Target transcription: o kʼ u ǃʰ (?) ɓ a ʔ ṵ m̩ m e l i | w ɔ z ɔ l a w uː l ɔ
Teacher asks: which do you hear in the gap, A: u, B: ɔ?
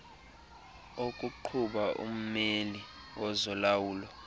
A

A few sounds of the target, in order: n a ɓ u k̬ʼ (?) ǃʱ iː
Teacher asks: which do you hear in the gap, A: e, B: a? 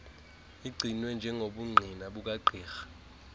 B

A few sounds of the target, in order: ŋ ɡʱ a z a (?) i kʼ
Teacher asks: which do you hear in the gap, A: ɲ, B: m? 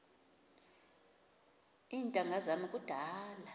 B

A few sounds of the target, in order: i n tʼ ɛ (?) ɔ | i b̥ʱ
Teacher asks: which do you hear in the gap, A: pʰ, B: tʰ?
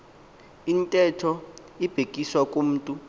B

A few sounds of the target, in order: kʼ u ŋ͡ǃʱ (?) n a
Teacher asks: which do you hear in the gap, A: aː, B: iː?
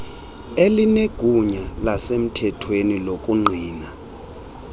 B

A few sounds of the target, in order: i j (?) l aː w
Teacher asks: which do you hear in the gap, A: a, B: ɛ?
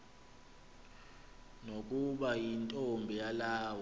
A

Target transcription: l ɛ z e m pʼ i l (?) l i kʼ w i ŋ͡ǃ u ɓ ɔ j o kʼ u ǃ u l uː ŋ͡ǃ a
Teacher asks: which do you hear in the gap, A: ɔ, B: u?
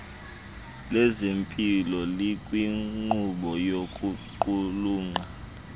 A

